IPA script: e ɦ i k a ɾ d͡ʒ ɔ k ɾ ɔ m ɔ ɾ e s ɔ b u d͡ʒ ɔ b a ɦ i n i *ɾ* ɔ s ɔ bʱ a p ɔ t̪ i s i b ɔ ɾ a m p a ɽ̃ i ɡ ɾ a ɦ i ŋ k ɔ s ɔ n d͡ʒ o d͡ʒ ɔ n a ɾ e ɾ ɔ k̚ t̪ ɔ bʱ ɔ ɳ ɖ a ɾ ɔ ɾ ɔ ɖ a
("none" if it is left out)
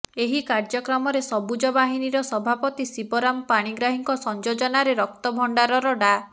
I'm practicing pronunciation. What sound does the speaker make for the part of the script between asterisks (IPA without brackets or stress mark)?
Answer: ɾ